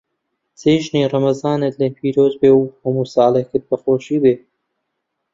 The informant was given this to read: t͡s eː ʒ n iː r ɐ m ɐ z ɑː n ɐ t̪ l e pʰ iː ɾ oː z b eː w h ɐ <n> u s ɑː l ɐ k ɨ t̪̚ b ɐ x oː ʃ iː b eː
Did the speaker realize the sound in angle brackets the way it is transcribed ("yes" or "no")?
no